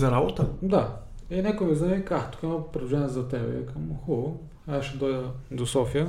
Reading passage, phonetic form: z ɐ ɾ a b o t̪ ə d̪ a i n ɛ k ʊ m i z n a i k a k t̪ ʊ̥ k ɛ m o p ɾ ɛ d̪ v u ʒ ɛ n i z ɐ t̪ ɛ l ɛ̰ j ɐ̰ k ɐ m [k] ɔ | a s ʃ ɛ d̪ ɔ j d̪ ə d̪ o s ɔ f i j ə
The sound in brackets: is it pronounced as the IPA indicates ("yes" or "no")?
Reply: no